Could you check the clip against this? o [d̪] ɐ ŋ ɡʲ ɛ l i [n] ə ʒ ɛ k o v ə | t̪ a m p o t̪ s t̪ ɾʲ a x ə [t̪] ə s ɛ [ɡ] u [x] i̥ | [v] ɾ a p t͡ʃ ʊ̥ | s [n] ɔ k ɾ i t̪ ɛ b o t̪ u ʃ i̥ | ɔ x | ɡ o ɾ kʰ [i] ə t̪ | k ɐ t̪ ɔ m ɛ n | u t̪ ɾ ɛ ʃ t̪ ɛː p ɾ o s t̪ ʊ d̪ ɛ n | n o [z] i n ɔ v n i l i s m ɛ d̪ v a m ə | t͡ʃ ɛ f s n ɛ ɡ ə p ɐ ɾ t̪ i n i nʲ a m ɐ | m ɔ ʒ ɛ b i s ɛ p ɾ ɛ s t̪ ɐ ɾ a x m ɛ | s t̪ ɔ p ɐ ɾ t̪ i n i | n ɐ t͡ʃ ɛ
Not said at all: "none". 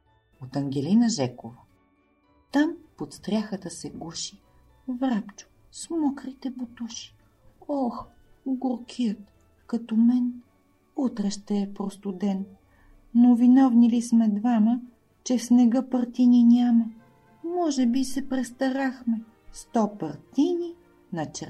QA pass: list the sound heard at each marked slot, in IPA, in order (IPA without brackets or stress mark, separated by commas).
t̪, n, t̪, ɡ, ʃ, v, m, i, v